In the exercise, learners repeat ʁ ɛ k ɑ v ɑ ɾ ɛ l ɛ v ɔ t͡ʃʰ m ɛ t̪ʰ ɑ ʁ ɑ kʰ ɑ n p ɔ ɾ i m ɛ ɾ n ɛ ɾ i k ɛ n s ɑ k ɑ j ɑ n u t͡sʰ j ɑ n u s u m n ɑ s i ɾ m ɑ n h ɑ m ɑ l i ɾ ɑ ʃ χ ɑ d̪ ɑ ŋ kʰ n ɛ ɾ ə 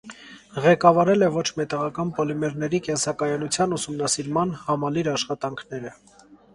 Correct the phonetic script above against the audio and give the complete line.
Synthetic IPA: ʁ ɛ k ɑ v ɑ ɾ ɛ l ɛ v ɔ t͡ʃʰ m ɛ t̪ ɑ ʁ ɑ k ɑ n p ɔ l i m ɛ ɾ n ɛ ɾ i k ɛ n s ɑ k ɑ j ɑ n u t͡sʰ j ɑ n u s u m n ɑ s i ɾ m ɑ n h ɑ m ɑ l i ɾ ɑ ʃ χ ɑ t̪ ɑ ŋ kʰ n ɛ ɾ ə